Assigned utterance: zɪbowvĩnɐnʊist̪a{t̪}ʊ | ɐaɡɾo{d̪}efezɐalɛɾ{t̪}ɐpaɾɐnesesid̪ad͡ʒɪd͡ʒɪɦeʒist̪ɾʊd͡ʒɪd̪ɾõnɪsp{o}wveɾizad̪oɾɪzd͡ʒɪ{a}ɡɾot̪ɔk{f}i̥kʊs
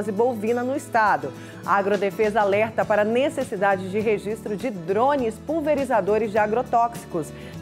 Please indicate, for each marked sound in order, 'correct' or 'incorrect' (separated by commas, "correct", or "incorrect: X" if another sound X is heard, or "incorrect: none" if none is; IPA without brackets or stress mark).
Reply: incorrect: d̪, correct, correct, incorrect: u, correct, incorrect: s